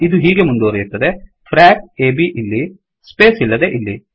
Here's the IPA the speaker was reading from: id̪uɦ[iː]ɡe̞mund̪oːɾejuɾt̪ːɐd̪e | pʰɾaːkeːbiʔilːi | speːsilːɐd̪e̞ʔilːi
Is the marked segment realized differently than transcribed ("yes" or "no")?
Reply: no